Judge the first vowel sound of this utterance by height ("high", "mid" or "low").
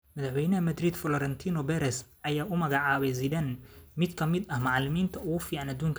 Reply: low